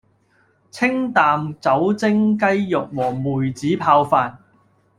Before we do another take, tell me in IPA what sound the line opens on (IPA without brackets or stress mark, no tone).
t͡sʰ